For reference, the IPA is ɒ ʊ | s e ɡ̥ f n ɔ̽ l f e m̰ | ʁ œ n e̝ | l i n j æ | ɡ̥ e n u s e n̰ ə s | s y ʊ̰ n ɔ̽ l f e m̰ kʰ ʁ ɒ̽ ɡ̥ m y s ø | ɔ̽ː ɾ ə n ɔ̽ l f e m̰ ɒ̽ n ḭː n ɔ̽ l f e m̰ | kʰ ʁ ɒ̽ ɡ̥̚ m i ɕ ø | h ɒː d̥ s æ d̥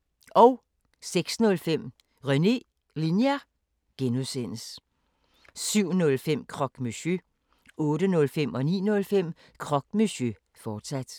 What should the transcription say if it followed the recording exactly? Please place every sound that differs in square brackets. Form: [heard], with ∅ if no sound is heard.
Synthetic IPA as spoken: ɒ ʊ | s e ɡ̥ [s] n ɔ̽ l f e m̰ | ʁ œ n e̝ | l i n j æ | ɡ̥ e n u s e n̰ ə s | s y ʊ̰ n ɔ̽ l f e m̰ kʰ ʁ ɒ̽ ɡ̥ m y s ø | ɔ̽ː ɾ ə n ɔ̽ l f e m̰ ɒ̽ n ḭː n ɔ̽ l f e m̰ | kʰ ʁ ɒ̽ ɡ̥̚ m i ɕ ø | [f] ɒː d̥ s æ d̥